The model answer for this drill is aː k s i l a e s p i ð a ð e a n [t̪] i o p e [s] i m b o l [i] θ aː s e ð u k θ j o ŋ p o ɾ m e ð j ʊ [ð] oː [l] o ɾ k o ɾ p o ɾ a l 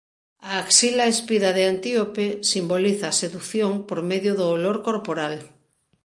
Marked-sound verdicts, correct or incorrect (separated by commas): correct, correct, correct, correct, correct